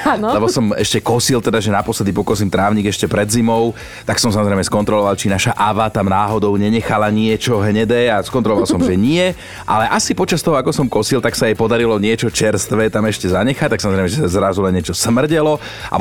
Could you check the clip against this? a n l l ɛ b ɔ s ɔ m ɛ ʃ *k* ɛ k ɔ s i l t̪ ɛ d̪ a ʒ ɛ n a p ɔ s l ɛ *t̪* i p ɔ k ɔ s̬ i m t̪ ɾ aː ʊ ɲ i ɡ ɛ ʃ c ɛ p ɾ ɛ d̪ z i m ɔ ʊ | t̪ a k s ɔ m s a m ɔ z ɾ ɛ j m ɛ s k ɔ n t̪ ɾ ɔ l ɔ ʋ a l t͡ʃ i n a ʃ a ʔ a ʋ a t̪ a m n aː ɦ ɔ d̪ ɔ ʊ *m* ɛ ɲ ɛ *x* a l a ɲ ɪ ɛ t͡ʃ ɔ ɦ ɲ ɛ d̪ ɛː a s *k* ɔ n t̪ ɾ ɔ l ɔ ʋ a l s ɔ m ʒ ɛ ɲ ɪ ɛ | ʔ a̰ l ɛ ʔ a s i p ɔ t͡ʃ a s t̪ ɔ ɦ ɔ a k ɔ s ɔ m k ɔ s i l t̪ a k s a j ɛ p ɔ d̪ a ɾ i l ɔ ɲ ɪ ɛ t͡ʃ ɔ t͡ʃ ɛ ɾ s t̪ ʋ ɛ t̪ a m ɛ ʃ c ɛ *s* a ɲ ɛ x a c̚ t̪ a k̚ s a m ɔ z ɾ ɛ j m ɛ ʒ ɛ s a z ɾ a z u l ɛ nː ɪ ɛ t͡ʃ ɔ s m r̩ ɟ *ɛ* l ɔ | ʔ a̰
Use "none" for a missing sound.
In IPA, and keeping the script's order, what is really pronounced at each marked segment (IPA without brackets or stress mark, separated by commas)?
c, d̪, ɲ, x, k, z, ɛ